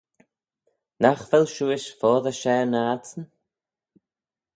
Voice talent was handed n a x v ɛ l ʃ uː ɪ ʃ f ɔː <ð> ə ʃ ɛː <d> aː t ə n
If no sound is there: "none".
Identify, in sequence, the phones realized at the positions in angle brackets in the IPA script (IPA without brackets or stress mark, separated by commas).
ð, n